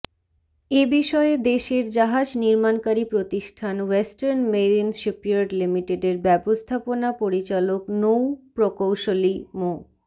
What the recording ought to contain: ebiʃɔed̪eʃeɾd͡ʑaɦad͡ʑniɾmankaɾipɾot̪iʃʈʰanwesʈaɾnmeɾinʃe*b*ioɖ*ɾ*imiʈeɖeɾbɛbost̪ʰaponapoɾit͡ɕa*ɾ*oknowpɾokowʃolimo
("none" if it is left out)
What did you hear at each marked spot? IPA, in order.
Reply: p, l, l

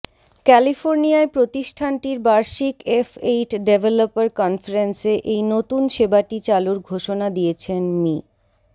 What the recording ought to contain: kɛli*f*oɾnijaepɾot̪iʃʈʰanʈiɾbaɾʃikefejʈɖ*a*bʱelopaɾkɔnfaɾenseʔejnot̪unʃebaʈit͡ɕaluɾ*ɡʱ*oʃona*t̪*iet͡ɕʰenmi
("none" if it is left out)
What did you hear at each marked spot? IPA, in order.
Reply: f, e, ɡʱ, d̪

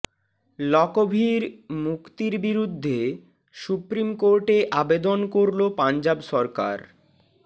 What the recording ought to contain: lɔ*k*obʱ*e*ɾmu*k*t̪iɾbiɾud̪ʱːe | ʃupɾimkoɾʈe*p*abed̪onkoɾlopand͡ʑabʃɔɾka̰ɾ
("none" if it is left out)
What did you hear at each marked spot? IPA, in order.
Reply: k, i, k, ʔ

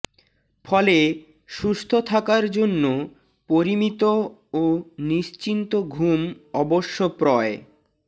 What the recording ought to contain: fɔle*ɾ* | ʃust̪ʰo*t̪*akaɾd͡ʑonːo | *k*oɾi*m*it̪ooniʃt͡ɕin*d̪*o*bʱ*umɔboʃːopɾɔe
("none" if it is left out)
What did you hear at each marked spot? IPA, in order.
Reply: none, t̪ʰ, p, m, t̪, ɡʱ

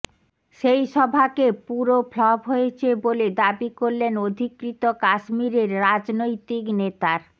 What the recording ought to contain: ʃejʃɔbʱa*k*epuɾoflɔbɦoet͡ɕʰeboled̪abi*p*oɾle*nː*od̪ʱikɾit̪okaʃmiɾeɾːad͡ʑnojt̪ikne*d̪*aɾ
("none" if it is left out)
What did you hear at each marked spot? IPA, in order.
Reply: k, k, n, t̪

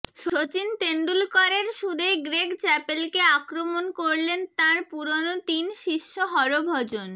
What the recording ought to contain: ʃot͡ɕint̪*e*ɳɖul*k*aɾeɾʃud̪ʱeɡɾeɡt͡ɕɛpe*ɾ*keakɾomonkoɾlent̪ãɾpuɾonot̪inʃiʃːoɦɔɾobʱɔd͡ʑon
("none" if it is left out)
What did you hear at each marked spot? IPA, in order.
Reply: e, k, l

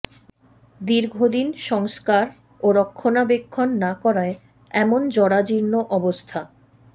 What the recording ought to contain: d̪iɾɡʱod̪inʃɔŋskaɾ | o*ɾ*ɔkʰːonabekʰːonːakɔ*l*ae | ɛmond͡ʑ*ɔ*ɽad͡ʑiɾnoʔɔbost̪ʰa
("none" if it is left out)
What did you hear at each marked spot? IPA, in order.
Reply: ɾ, ɾ, ɔ

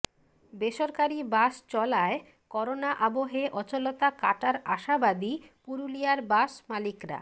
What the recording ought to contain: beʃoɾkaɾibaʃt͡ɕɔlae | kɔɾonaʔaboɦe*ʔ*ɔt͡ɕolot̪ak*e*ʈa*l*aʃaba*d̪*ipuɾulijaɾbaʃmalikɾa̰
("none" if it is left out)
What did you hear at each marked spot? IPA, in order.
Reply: ʔ, a, ɾ, d̪

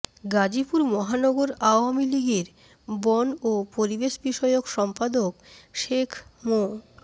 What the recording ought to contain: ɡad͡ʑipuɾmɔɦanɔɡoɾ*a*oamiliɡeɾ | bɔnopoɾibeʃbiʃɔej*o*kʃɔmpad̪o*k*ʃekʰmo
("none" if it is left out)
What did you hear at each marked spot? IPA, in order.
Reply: a, o, k

